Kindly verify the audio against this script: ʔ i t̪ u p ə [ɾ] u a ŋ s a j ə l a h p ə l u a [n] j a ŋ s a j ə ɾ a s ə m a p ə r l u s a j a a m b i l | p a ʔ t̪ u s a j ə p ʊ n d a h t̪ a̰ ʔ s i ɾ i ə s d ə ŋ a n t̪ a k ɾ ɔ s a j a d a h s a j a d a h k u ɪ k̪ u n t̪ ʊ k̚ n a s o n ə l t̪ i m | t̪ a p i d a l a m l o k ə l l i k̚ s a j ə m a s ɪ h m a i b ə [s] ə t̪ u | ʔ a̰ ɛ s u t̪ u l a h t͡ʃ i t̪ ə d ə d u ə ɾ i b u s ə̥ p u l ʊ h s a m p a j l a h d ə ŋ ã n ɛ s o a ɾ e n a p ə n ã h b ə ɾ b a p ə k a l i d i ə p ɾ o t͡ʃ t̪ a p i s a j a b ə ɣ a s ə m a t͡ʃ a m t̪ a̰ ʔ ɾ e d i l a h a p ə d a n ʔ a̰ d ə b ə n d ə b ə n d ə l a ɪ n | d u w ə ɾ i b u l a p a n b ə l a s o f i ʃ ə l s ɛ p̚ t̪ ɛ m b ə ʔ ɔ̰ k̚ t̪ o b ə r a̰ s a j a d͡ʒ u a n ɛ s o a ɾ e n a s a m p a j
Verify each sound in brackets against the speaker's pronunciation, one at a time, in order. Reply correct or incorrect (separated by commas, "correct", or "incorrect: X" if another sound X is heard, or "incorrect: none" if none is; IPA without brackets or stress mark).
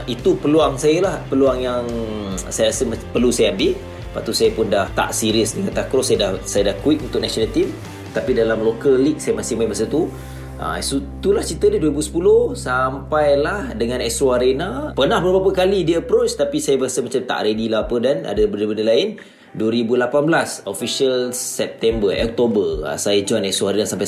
incorrect: l, incorrect: ŋ, correct